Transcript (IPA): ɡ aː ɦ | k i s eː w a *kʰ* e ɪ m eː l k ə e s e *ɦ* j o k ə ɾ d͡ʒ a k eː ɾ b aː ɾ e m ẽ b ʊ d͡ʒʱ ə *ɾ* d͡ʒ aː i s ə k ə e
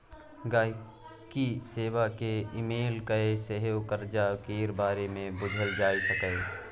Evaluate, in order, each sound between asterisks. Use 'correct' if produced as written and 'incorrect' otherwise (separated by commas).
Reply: incorrect, correct, incorrect